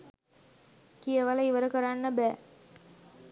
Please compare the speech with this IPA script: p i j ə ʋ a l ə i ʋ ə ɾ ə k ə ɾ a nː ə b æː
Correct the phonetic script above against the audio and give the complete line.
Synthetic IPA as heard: k i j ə ʋ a l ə i ʋ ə ɾ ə k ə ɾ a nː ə b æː